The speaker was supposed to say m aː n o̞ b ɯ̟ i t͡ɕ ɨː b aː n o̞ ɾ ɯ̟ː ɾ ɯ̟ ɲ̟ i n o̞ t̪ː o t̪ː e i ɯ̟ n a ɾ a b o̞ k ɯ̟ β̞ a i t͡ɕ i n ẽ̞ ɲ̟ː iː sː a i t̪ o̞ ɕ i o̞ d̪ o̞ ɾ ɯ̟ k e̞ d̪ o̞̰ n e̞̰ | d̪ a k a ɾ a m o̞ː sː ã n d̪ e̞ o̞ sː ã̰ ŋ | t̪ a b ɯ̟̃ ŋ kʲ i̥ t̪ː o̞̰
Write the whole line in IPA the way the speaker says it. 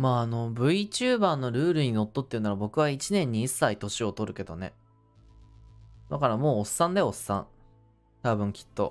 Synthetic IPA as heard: m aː n o̞ b ɯ̟ i t͡ɕ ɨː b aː n o̞ ɾ ɯ̟ː ɾ ɯ̟ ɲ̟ i n o̞ t̪ː o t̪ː e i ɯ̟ n a ɾ a b o̞ k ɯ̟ β̞ a i t͡ɕ i n ẽ̞ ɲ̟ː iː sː a i t̪ o̞ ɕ i o̞ t̪ o̞ ɾ ɯ̟ k e̞ d̪ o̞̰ n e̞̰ | d̪ a k a ɾ a m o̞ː sː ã n d̪ e̞ o̞ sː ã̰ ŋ | t̪ a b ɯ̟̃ ŋ kʲ i̥ t̪ː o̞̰